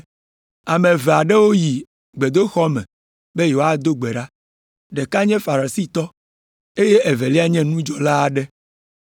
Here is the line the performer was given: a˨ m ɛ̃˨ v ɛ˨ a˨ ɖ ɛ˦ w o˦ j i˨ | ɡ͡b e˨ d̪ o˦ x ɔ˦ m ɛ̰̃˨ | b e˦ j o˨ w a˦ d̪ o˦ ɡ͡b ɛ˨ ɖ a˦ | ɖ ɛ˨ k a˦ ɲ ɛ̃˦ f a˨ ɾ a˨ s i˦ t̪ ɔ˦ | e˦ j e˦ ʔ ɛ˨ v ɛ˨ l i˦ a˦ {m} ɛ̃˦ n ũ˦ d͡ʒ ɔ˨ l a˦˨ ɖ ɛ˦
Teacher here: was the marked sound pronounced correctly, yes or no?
no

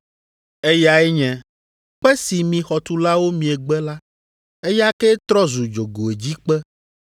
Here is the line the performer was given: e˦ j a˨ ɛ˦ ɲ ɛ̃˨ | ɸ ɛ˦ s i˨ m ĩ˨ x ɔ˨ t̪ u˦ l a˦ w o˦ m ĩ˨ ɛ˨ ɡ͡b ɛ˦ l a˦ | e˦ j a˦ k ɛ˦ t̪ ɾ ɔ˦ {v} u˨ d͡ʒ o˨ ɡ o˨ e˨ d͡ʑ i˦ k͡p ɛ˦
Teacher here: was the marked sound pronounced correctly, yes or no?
no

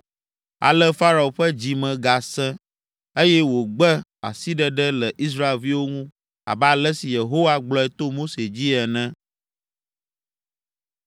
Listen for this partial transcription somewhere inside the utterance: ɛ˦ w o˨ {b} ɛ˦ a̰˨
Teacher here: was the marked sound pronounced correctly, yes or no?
no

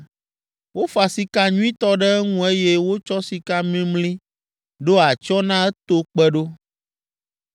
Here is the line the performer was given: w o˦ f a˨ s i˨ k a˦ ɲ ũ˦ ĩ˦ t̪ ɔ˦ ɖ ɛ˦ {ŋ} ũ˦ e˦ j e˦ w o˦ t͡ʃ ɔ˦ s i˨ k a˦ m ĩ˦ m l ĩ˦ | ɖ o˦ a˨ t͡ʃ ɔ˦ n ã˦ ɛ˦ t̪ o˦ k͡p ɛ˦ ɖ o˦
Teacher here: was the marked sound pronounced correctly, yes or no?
yes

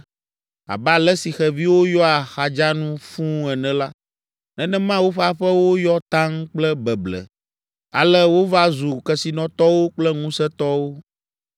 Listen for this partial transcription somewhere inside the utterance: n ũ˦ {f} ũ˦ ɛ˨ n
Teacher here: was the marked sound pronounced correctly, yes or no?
yes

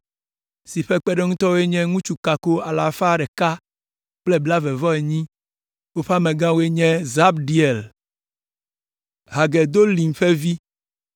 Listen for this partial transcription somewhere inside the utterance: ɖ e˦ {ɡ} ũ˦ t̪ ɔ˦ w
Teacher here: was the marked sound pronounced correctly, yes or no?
no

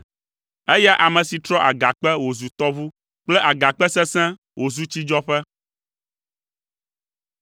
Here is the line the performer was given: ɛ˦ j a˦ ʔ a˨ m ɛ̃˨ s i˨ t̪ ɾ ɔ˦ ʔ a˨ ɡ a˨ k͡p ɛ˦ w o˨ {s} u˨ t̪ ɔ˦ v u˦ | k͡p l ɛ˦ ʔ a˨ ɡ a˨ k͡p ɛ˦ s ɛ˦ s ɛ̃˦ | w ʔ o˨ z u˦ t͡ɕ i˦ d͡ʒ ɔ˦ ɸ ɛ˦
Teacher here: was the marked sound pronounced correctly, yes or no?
no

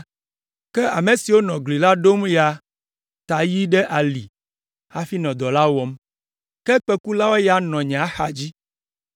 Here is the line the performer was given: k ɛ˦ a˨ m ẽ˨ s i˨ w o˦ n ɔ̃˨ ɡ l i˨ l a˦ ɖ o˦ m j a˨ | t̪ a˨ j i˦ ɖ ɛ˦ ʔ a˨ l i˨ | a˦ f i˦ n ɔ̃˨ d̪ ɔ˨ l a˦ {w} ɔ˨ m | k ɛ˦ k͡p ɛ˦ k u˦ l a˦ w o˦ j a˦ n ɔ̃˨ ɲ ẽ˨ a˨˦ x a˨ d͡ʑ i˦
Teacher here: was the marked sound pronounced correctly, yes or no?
yes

